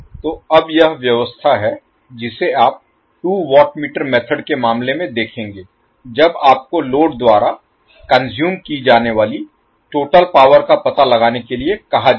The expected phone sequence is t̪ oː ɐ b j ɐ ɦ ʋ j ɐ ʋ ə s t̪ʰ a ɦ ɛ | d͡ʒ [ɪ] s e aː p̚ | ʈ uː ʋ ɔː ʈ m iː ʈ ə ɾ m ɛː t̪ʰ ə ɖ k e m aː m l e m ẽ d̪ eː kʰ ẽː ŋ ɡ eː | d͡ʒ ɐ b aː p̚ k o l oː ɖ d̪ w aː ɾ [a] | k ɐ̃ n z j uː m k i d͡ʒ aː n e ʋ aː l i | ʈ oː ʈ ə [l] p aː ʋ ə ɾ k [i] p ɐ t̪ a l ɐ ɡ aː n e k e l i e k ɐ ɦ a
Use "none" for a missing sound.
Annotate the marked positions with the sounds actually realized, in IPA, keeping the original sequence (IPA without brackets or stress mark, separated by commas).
ɪ, a, l, a